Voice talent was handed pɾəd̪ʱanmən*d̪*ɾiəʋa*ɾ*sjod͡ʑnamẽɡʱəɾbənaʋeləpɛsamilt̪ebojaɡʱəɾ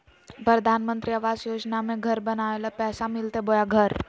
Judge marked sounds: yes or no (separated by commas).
no, no